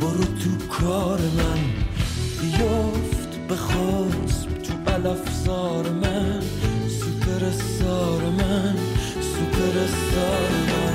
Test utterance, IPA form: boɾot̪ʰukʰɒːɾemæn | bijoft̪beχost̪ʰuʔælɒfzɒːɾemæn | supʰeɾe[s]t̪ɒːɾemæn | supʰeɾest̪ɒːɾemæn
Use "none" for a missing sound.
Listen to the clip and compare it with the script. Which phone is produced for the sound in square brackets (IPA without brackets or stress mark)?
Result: s